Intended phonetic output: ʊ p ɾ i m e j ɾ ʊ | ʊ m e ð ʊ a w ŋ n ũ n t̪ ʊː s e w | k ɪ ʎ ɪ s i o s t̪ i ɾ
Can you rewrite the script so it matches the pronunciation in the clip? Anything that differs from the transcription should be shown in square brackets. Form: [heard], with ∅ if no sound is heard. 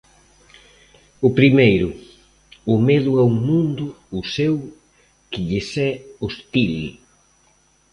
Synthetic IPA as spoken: ʊ p ɾ i m e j ɾ ʊ | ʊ m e ð ʊ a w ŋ [m] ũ n [d̪] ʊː s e w | k ɪ ʎ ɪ s [ɛ] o s t̪ i [l]